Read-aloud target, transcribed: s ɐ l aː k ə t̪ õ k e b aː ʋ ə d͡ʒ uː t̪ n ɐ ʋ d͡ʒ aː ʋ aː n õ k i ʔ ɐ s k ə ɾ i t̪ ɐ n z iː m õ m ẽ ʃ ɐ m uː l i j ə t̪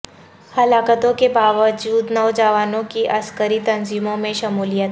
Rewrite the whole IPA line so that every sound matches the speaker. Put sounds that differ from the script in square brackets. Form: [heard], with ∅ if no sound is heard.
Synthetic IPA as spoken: [h] ɐ l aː k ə t̪ õ k e b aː ʋ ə d͡ʒ uː [d̪] n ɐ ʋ d͡ʒ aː ʋ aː n õ k i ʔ ɐ s k ə ɾ i t̪ ɐ n z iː m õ m ẽ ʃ ɐ m uː l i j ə t̪